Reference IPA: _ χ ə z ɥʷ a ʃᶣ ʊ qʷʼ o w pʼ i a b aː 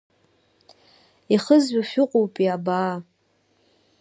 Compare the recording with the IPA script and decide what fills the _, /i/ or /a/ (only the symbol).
i